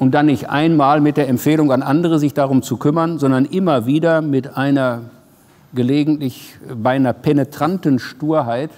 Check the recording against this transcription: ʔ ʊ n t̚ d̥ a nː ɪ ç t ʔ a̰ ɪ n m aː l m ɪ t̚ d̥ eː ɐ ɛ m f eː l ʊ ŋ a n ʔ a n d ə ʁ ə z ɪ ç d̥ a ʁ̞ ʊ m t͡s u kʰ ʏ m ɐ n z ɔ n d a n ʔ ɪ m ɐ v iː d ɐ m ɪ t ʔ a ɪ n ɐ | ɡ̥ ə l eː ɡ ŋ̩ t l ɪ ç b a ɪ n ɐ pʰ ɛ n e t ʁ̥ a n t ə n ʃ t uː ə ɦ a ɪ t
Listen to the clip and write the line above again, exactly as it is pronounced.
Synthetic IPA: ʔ ʊ n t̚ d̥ a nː ɪ ç t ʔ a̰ ɪ n m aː l m ɪ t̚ d̥ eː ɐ ɛ m f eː l ʊ ŋ a n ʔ a n d ə ʁ ə z ɪ ç d̥ a ʁ̞ ʊ m t͡s u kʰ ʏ m ɐ n z ɔ n d ɐ n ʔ ɪ m ɐ v iː d ɐ m ɪ t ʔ a ɪ n ɐ | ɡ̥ ə l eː ɡ ŋ̩ t l ɪ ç b a ɪ n ɐ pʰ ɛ n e t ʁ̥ a n t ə n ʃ t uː ɐ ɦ a ɪ t